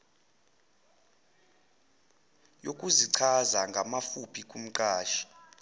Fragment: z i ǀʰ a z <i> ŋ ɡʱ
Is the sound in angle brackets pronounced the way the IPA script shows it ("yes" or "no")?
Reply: no